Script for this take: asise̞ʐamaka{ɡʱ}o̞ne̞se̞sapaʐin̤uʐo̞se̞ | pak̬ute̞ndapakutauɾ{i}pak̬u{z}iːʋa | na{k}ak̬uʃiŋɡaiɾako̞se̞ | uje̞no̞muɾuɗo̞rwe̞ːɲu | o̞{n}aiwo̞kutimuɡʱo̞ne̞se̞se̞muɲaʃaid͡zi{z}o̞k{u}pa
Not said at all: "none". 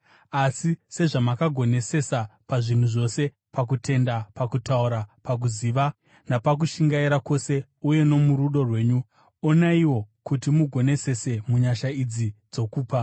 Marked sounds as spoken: ɡʱ, a, z, p, n, d͡z, uː

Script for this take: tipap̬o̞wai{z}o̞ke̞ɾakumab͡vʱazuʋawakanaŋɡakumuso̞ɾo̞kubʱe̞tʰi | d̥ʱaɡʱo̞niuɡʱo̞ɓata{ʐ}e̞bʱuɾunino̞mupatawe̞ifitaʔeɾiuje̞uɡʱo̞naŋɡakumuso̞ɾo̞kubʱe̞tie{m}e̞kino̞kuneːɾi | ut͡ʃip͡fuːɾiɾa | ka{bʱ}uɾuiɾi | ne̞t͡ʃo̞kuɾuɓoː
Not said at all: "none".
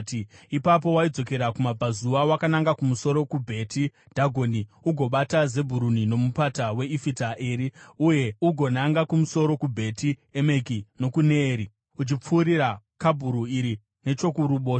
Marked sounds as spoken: d͡z, z, m, bʱ

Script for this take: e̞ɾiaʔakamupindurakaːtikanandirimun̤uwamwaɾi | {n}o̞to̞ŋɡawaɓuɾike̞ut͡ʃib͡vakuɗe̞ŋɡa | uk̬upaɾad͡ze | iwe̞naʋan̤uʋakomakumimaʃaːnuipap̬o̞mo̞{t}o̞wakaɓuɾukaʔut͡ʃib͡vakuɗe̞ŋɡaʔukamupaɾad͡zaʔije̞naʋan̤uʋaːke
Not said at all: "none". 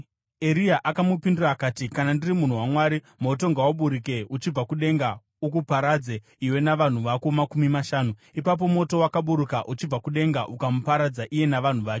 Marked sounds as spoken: m, t

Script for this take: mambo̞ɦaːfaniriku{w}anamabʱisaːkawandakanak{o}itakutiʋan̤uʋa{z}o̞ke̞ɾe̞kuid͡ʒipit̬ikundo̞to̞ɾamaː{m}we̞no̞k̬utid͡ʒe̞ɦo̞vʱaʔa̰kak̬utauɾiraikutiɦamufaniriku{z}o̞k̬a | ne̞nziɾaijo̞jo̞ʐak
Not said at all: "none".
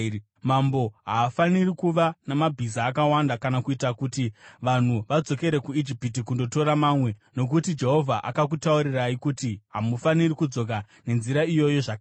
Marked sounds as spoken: ʋ, u, d͡z, m, d͡z

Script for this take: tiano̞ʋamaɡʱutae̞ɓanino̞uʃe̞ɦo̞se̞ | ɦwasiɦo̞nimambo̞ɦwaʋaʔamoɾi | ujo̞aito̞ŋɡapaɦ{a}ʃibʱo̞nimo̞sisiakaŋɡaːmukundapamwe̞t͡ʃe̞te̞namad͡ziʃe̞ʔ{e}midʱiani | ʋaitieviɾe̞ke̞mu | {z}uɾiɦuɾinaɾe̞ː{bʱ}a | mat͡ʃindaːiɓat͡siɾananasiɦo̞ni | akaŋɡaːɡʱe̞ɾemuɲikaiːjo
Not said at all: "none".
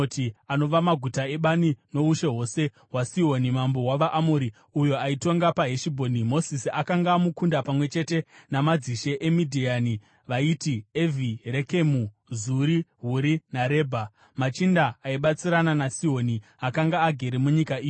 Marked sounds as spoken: e, e, z, bʱ

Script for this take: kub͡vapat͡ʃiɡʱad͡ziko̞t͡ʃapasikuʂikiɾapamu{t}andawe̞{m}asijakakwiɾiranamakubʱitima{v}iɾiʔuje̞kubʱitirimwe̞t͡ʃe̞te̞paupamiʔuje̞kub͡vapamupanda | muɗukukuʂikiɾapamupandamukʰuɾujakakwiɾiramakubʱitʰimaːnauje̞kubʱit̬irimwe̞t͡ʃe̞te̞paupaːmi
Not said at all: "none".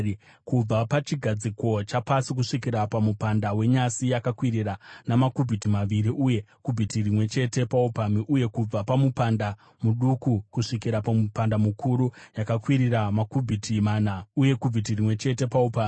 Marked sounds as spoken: p, ɲ, ʋ

